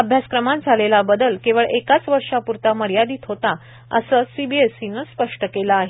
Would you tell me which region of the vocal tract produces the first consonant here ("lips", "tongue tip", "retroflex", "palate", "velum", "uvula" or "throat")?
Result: lips